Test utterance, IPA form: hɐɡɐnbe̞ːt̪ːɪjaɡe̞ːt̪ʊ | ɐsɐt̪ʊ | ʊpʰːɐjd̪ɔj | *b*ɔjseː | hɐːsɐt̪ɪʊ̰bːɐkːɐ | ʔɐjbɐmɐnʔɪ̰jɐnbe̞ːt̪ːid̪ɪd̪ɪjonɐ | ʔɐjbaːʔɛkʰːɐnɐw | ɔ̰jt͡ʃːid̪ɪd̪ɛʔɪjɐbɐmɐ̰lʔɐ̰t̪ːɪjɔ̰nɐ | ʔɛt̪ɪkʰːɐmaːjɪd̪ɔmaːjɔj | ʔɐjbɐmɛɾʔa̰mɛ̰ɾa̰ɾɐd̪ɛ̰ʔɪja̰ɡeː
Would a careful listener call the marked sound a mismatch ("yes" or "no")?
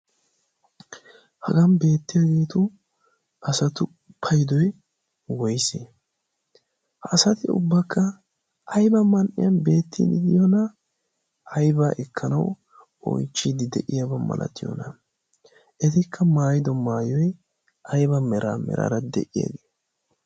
yes